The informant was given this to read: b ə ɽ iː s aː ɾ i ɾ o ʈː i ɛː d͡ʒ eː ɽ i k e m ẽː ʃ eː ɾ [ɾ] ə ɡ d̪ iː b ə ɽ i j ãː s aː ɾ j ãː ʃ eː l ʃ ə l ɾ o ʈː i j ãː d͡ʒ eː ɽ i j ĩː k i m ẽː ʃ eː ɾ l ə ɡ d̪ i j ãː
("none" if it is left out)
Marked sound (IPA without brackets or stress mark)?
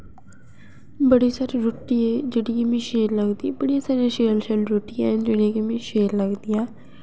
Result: l